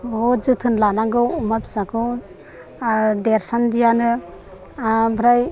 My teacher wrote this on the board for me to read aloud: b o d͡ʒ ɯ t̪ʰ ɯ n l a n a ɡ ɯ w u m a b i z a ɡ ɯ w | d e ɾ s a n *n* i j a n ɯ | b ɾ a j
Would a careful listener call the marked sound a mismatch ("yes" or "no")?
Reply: yes